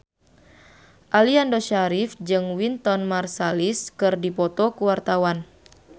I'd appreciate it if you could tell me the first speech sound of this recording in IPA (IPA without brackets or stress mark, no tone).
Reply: ʔ